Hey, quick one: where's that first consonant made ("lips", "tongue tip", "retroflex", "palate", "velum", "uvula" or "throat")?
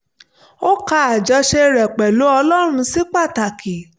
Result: velum